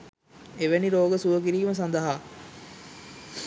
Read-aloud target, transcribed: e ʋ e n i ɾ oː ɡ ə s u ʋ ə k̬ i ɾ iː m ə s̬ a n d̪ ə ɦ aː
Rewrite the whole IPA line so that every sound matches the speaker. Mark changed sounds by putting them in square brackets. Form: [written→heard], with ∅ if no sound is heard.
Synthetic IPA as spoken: e ʋ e n i ɾ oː ɡ ə s u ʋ ə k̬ i ɾ iː m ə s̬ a n d̪ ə ɦ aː